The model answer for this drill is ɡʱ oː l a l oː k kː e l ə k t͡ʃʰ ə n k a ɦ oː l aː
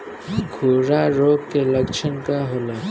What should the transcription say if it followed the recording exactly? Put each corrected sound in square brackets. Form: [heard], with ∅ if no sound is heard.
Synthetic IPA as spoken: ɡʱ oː [ɾ] a [ɾ] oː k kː e l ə k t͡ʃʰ ə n k a ɦ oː l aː